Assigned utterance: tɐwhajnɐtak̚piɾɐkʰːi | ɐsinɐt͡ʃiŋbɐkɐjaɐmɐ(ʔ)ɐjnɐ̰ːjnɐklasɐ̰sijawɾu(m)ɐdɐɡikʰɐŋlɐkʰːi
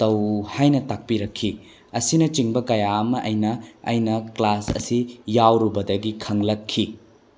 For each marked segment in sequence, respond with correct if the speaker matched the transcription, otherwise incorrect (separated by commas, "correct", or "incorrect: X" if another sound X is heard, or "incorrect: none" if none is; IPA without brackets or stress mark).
correct, incorrect: b